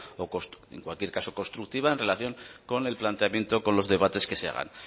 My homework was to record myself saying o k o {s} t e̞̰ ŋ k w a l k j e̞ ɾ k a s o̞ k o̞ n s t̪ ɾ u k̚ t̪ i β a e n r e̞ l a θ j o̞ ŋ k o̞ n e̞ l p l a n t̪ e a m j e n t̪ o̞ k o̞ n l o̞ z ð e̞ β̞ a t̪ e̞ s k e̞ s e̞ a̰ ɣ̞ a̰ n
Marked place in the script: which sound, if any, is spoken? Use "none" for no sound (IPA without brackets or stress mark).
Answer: s